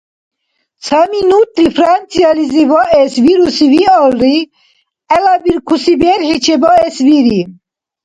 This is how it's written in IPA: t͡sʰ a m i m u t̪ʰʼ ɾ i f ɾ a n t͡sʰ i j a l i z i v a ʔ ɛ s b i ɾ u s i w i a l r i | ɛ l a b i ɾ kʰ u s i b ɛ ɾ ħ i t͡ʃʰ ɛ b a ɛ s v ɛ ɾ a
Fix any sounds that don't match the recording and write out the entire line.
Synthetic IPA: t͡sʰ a m i n u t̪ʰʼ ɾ i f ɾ a n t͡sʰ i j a l i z i v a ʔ ɛ s v i ɾ u s i v i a l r i | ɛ l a b i ɾ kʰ u s i b ɛ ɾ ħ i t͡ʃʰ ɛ b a ɛ s v i ɾ i